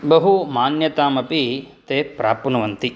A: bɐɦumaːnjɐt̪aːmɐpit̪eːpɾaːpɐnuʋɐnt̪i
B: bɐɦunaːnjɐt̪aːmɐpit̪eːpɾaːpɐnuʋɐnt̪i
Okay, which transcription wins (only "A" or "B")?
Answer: A